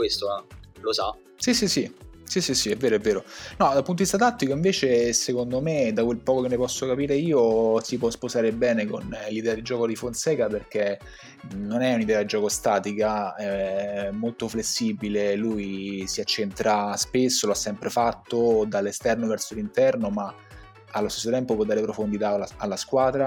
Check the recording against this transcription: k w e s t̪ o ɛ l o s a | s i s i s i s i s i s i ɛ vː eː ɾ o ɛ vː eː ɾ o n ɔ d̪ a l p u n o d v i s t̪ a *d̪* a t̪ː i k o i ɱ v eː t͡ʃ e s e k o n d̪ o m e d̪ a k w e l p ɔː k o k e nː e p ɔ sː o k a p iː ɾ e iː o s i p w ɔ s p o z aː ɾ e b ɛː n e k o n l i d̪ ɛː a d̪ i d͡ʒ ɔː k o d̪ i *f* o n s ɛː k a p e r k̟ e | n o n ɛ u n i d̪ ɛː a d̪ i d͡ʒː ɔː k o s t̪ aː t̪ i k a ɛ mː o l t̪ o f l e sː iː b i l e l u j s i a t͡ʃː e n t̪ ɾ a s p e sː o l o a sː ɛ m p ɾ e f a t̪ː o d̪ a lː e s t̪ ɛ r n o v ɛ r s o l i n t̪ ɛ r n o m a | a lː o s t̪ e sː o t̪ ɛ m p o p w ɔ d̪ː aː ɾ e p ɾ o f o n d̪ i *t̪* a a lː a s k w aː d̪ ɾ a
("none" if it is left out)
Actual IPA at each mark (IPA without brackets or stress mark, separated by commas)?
t̪, f, t̪